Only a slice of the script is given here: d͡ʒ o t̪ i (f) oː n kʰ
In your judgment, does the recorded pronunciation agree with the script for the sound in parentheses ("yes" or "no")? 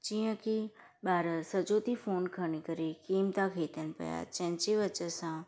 yes